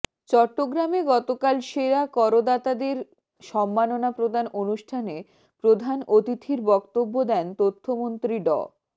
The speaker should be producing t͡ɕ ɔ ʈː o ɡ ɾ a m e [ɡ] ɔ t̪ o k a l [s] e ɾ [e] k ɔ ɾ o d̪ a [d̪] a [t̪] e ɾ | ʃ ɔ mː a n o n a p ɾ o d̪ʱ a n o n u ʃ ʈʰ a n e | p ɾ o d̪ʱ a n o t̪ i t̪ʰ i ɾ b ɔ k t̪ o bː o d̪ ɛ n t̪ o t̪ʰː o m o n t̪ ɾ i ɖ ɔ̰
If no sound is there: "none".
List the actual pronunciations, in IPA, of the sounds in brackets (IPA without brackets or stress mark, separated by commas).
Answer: ɡ, ʃ, a, t̪, d̪